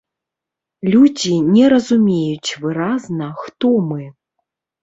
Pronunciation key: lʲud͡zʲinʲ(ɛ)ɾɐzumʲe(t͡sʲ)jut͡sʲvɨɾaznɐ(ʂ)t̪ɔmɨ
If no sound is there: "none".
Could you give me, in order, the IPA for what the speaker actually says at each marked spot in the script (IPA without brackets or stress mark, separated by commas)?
ɛ, none, x